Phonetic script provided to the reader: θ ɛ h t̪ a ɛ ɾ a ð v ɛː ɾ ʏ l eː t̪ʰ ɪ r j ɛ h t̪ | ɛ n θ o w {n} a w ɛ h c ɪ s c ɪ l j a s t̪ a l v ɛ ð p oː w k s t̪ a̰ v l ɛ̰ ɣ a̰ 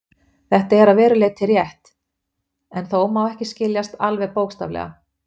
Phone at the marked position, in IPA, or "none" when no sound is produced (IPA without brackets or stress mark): m